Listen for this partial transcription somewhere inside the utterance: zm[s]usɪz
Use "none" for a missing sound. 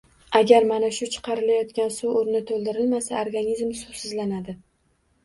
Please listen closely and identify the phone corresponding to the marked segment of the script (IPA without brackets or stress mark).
s